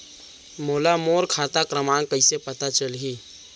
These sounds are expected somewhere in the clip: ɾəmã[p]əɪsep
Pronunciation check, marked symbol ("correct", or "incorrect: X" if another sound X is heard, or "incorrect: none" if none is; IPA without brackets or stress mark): incorrect: k